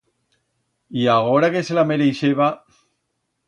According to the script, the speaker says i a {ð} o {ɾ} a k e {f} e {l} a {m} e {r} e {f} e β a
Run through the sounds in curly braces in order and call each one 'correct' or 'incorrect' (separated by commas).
incorrect, correct, incorrect, correct, correct, incorrect, incorrect